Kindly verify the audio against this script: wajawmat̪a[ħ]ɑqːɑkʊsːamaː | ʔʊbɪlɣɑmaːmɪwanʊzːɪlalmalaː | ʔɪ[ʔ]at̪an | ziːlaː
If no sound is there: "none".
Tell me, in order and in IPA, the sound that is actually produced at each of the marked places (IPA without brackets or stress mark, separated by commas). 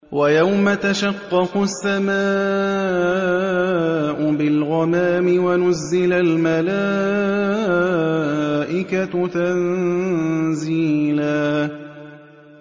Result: ʃ, k